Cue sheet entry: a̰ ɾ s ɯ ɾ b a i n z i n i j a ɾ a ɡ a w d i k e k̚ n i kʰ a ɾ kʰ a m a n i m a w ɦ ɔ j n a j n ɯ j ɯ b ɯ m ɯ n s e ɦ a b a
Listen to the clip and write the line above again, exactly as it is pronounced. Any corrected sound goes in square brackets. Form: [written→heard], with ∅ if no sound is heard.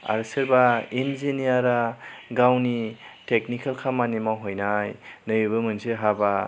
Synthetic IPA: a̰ ɾ s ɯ ɾ b a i n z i n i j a ɾ a ɡ a w [d→n] i [k→t] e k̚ n i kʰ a [ɾ→l] kʰ a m a n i m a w ɦ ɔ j n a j n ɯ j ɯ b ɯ m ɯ n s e ɦ a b a